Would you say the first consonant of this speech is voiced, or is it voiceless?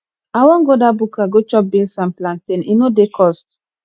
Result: voiced